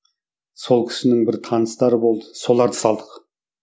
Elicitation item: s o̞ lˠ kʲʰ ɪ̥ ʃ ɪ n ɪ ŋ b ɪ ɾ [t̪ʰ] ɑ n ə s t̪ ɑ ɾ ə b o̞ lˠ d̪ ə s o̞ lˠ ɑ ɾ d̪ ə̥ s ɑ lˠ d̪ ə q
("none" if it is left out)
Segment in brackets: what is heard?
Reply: t̪ʰ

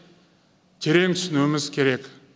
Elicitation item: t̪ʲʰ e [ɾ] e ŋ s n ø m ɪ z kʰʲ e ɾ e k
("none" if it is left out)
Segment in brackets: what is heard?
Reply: ɾ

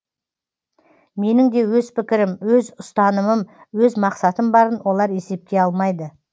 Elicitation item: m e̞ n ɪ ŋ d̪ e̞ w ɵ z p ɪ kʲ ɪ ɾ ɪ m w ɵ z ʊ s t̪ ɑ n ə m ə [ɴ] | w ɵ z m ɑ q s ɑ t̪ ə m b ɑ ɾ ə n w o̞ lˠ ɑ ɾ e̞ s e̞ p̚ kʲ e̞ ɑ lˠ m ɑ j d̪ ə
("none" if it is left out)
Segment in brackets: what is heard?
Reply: m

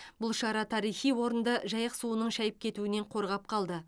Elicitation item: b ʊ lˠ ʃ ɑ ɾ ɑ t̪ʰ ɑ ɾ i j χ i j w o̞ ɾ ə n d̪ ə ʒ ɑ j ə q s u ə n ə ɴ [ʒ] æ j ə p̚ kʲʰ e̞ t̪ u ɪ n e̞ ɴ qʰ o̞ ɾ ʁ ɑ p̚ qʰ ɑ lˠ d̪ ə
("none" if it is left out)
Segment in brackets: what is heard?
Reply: ʃ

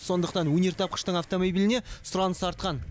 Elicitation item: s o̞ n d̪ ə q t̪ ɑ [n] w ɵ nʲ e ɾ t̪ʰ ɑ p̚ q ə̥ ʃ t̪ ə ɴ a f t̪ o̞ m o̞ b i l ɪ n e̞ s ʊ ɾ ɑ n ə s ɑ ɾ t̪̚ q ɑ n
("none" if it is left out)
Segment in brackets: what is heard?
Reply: n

